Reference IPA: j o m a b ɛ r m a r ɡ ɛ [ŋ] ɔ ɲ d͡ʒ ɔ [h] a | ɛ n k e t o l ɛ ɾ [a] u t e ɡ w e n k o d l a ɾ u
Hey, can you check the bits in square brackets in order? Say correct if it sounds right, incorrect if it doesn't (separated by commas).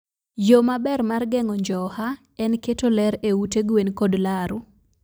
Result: correct, correct, incorrect